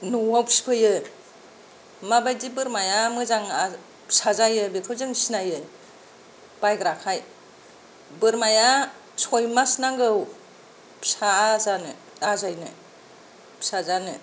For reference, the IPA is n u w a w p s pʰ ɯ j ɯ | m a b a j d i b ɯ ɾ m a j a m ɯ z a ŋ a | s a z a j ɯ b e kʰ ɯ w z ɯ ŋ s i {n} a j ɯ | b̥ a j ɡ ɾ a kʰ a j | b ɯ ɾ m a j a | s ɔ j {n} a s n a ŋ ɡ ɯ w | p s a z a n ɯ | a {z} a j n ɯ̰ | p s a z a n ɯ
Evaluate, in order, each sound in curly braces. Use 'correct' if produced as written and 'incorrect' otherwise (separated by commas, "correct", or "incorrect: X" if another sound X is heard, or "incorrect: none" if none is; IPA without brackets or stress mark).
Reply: correct, incorrect: m, correct